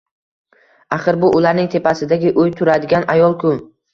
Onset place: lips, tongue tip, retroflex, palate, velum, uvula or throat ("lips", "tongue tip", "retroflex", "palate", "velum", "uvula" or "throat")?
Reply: uvula